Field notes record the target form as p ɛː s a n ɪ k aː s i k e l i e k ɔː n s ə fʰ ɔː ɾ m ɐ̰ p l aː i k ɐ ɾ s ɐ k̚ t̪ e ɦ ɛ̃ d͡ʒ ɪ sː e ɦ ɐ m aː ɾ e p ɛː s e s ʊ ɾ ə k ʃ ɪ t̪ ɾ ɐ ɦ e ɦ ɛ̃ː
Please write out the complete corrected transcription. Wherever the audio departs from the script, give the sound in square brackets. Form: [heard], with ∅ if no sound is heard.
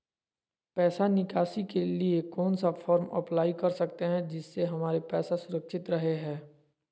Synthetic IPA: p ɛː s a n ɪ k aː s i k e l i e k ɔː n s [a] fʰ ɔː ɾ m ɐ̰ p l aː i k ɐ ɾ s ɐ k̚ t̪ e ɦ ɛ̃ d͡ʒ ɪ sː e ɦ ɐ m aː ɾ e p ɛː s [a] s ʊ ɾ ə k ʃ ɪ t̪ ɾ ɐ ɦ e ɦ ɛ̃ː